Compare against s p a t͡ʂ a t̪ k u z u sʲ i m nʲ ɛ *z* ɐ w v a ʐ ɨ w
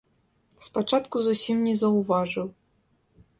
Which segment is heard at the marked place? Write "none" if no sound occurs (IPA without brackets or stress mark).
z